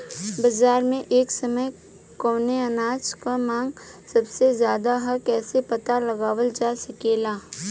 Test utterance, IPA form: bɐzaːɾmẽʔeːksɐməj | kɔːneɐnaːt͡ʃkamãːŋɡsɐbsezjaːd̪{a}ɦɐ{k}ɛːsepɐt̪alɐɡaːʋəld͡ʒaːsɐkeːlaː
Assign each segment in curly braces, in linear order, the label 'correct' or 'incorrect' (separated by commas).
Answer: correct, correct